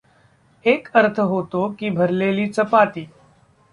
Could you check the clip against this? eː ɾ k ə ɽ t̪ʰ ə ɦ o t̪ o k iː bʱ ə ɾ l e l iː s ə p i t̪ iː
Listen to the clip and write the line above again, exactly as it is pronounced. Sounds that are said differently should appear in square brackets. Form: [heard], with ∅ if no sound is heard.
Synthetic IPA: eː [∅] k ə [ɾ] t̪ʰ ə ɦ o t̪ o k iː bʱ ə ɾ l e l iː [t͡s] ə p [a] t̪ iː